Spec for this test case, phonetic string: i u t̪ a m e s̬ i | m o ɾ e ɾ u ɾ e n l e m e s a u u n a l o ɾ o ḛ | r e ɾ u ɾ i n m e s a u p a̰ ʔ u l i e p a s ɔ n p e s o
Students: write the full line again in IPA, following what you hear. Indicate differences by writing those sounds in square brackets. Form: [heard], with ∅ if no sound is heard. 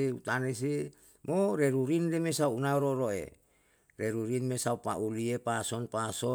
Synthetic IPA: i u t̪ a [n] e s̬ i | m o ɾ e ɾ u ɾ [i] n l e m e s a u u n a [ɾ] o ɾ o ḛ | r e ɾ u ɾ i n m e s a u p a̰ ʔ u l i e p a s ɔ n p [a] s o